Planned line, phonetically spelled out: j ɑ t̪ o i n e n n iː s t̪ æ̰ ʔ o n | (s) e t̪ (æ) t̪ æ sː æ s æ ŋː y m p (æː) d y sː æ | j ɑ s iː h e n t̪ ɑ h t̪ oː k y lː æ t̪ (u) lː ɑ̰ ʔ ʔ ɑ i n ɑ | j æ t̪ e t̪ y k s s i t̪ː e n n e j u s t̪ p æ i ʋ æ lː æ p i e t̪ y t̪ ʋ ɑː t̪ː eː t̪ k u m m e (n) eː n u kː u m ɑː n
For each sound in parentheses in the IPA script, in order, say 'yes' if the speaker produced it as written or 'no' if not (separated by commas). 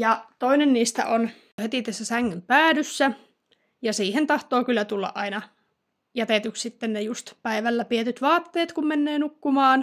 no, no, yes, yes, no